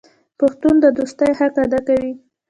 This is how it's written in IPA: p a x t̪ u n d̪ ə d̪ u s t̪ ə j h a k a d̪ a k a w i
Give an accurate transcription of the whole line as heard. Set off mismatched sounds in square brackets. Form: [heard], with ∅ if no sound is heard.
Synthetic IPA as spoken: p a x t̪ u n d̪ ə d̪ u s t̪ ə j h a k a d̪ a k a w i